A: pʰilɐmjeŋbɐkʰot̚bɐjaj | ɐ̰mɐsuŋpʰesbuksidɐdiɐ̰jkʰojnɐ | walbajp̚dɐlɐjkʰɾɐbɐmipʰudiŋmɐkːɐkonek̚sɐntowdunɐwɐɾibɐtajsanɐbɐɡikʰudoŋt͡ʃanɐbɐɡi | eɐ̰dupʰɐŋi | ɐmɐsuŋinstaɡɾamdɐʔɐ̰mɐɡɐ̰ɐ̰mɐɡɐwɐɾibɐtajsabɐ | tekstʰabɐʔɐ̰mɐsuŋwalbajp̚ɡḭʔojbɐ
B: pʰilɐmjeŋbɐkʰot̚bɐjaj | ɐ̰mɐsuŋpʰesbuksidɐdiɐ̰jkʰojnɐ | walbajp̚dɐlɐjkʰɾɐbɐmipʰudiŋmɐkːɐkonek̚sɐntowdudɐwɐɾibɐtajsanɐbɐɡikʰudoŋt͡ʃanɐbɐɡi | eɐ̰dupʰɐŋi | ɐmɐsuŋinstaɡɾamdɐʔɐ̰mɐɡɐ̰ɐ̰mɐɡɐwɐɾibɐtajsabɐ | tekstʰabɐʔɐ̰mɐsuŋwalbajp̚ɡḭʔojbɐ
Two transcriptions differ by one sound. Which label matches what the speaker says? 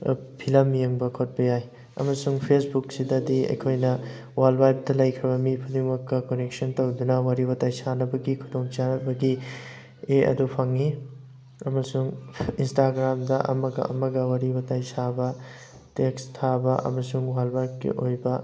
A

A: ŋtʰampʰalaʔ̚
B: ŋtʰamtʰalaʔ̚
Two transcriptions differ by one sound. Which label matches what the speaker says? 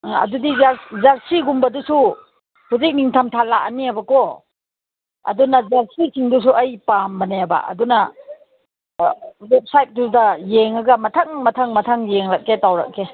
B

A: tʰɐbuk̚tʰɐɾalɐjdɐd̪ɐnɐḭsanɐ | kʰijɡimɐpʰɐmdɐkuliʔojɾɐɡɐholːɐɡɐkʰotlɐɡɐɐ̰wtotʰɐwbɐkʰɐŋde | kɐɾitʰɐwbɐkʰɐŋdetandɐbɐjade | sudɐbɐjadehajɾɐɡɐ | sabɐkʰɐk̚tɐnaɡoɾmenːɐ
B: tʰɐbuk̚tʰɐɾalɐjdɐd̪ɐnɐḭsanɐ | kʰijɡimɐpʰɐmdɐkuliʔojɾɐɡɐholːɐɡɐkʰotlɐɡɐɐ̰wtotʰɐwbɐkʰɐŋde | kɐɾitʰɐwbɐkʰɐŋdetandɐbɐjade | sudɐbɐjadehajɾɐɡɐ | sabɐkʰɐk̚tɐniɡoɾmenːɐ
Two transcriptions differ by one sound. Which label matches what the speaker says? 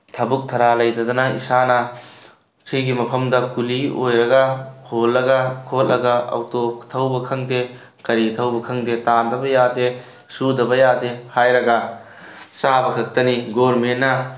B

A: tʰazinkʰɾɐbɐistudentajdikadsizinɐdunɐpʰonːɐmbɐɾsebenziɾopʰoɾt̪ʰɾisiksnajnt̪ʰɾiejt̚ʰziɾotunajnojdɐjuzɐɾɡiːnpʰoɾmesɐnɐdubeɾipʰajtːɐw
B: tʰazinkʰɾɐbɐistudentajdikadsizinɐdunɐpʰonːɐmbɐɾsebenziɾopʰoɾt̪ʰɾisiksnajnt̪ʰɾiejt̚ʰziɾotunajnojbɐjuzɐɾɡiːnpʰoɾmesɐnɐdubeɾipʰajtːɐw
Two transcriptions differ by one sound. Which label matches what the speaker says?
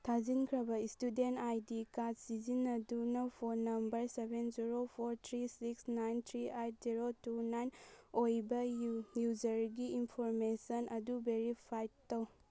B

